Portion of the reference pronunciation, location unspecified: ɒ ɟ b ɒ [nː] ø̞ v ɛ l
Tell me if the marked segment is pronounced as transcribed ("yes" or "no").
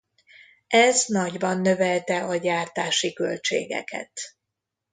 yes